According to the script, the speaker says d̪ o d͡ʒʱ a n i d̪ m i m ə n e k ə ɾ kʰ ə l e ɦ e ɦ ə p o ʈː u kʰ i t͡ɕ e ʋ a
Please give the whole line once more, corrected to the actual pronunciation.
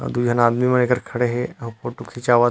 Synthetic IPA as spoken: d̪ u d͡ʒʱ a n a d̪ m i m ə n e k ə ɾ kʰ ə ɽ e ɦ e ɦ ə p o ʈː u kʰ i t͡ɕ a ʋ a